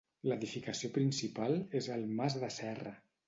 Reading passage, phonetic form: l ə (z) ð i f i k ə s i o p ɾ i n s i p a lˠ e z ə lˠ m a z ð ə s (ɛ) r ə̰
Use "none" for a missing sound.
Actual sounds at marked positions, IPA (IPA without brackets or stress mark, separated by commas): none, ɛ